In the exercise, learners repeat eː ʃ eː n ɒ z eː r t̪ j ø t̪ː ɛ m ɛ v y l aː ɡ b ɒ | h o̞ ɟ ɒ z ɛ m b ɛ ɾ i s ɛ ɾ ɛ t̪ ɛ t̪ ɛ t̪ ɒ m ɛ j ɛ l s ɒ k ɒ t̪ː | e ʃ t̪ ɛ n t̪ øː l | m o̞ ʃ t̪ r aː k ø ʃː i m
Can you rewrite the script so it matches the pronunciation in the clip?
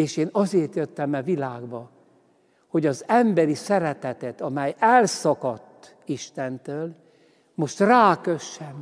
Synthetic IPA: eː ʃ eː n ɒ z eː r t̪ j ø t̪ː ɛ m ɛ v i l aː ɡ b ɒ | h o̞ ɟ ɒ z ɛ m b ɛ ɾ i s ɛ ɾ ɛ t̪ ɛ t̪ ɛ t̪ ɒ m ɛ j ɛ l s ɒ k ɒ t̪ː | i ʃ t̪ ɛ n t̪ øː l | m o̞ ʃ t̪ r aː k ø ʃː ɛ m